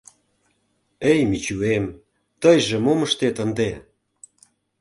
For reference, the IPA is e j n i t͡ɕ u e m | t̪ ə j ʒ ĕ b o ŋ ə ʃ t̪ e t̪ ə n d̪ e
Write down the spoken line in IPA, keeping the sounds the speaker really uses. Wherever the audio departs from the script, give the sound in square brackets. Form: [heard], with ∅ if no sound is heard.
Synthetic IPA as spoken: e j [m] i t͡ɕ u e m | t̪ ə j ʒ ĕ [m] o [m] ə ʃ t̪ e t̪ ə n d̪ e